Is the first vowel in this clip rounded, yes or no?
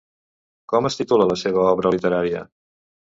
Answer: yes